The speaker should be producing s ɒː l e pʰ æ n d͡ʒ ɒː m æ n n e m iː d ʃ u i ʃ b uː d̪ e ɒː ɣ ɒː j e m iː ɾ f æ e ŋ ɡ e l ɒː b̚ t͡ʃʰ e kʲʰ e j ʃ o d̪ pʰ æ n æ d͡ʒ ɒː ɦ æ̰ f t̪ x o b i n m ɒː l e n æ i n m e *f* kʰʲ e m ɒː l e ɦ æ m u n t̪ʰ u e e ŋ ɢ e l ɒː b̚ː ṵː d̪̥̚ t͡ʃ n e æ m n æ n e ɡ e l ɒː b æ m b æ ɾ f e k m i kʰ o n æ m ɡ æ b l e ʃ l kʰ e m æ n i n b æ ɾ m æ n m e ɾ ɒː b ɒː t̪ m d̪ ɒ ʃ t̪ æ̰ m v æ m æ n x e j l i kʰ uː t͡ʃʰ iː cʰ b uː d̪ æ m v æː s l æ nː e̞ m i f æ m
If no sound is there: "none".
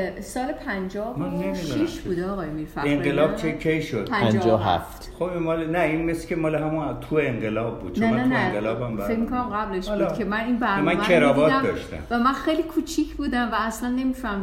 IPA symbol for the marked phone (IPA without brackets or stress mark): s